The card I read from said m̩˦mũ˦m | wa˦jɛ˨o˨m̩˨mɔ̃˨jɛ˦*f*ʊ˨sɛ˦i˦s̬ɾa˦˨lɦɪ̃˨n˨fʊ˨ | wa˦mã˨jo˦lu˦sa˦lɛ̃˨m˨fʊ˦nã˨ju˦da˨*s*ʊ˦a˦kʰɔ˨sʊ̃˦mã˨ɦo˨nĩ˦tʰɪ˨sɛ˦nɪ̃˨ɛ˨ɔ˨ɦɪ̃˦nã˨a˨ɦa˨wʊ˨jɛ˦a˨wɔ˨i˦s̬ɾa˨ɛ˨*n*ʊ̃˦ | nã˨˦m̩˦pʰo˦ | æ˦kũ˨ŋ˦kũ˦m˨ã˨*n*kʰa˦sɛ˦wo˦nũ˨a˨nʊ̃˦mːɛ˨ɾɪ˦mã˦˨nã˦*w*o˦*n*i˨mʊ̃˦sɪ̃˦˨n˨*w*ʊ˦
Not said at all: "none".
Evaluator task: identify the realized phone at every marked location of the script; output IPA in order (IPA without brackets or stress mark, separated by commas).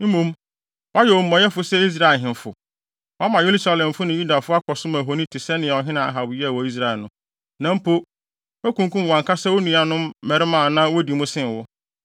f, f, n, ŋ, w, d, w